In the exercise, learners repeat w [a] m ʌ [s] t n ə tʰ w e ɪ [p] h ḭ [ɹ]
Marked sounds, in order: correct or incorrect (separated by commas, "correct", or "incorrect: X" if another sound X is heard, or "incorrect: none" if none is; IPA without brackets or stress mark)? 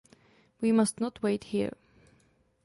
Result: incorrect: i, correct, incorrect: t, correct